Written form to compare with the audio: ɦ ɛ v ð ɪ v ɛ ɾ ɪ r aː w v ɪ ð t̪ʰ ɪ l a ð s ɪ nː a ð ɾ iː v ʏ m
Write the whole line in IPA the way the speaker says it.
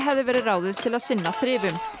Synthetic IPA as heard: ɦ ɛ v ð ɪ v ɛː ɾ ɪ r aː w ð ɪ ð t̪ʰ ɪ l a ð s ɪ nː a θ ɾ ɪː v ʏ m